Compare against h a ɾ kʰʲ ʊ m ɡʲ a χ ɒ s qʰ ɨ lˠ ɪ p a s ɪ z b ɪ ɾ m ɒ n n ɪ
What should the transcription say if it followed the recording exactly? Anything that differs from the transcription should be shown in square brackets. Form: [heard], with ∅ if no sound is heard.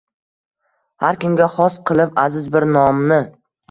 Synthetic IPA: h a ɾ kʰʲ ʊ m ɡʲ a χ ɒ s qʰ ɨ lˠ ɪ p a [z] ɪ z b ɪ ɾ [n] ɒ [m] n ɪ